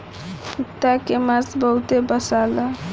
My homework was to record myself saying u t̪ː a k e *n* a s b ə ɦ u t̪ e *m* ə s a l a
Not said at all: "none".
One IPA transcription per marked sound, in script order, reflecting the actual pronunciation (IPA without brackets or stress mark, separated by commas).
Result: m, b